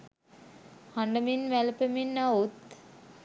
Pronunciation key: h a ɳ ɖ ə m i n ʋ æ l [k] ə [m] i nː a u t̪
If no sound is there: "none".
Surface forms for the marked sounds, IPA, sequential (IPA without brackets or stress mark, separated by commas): p, m